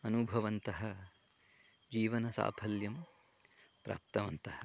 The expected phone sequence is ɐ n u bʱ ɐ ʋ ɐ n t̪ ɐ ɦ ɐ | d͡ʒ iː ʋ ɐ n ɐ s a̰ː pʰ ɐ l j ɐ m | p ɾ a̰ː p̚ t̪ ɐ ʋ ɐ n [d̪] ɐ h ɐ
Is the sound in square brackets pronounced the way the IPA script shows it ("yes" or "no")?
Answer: no